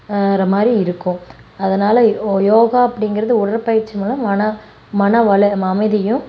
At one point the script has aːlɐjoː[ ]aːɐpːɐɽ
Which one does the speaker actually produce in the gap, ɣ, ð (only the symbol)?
ɣ